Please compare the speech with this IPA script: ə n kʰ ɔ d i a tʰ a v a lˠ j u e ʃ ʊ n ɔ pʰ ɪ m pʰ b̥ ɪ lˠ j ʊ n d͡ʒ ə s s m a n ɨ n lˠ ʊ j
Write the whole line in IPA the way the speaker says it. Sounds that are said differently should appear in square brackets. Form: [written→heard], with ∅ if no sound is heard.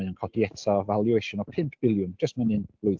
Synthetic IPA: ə n kʰ ɔ d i [a→ɛ] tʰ a v a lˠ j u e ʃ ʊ n ɔ pʰ ɪ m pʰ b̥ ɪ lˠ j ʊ n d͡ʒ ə s [s→t] m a n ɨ n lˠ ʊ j